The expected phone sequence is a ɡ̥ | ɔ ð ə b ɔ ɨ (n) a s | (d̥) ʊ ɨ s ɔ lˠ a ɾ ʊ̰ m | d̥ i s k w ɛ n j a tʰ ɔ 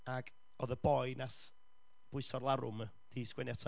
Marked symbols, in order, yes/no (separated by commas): yes, no